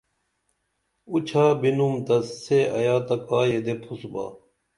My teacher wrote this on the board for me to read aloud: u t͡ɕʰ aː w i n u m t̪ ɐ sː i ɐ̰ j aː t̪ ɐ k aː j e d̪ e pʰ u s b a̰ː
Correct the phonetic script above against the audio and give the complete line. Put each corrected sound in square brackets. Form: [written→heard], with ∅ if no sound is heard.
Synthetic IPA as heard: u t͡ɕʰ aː [w→b] i n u m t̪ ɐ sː [i→e] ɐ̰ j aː t̪ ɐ k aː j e d̪ e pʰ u s b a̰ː